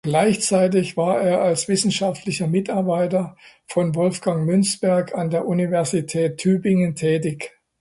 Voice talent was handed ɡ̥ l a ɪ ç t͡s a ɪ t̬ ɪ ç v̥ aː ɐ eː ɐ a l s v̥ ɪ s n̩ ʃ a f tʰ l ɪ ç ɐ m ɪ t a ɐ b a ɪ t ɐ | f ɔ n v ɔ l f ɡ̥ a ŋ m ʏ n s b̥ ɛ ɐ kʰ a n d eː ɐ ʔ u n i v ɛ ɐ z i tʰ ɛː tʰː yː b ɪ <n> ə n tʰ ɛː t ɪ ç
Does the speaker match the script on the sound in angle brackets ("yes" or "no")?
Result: no